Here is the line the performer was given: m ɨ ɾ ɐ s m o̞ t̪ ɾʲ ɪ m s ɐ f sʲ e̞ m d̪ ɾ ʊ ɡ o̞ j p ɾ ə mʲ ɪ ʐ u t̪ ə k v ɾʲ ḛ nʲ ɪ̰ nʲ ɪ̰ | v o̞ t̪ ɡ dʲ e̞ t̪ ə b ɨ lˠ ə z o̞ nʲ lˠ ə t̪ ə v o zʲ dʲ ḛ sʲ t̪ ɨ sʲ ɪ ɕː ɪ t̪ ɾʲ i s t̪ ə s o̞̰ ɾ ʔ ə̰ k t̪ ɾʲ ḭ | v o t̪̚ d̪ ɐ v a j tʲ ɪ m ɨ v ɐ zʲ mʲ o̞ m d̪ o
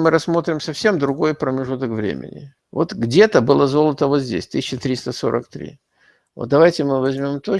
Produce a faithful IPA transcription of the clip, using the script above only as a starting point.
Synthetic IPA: m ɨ ɾ ɐ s m o̞ t̪ ɾʲ ɪ m s ɐ f sʲ e̞ m d̪ ɾ ʊ ɡ o̞ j p ɾ ə mʲ ɪ ʐ u t̪ ə k v ɾʲ ḛ mʲ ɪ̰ nʲ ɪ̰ | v o̞ t̪ ɡ dʲ e̞ t̪ ə b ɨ lˠ ə z o̞ lˠ ə t̪ ə v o zʲ dʲ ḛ sʲ t̪ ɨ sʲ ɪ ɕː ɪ t̪ ɾʲ i s t̪ ə s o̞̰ ɾ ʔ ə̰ k t̪ ɾʲ ḭ | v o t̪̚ d̪ ɐ v a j tʲ ɪ m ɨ v ɐ zʲ mʲ o̞ m t̪ o